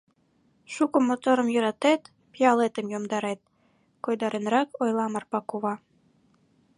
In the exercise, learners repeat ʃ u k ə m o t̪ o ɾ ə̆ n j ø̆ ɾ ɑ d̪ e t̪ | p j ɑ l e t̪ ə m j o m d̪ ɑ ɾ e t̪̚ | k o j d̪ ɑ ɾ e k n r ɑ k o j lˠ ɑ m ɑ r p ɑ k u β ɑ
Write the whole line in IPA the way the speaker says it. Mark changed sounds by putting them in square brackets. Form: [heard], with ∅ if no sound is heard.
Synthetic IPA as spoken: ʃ u k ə m o t̪ o ɾ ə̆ [m] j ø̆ ɾ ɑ [t̪] e t̪ | p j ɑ l e t̪ ə m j o m d̪ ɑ ɾ e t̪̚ | k o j d̪ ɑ ɾ e [∅] n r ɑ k o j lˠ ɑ m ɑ r p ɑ k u β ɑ